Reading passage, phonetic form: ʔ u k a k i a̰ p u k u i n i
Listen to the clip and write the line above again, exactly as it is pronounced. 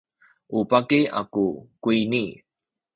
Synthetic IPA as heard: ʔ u p a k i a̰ k u k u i n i